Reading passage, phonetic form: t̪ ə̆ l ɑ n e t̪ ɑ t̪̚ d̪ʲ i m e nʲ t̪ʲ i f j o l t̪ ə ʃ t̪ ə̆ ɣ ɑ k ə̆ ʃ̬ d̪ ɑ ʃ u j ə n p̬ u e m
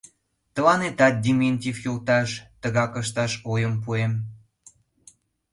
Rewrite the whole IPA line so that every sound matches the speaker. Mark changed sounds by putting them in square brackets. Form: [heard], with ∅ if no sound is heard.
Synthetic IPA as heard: t̪ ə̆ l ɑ n e t̪ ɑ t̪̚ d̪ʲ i m e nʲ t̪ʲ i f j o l t̪ [ɑ] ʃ t̪ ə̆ ɣ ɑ k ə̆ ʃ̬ [t̪] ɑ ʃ [o] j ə [m] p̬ u e m